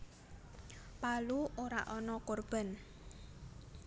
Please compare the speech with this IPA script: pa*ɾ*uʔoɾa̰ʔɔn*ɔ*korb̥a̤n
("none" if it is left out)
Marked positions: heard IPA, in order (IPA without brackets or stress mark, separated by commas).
l, ɔ